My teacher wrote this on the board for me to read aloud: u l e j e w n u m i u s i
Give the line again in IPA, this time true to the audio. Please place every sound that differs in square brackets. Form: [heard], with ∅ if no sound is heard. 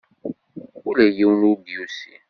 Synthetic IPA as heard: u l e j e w n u [b] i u s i